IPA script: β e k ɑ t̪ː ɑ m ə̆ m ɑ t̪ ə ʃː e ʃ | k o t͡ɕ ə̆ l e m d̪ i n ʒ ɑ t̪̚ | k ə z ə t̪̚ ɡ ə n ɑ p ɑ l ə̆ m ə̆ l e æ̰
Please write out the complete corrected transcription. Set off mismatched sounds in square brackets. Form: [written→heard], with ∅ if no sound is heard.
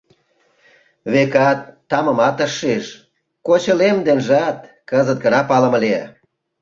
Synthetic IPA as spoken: β e k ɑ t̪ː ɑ m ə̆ m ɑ t̪ ə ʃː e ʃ | k o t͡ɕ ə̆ l e m d̪ [i→e] n ʒ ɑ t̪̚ | k ə z ə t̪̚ ɡ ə n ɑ p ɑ l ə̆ m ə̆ l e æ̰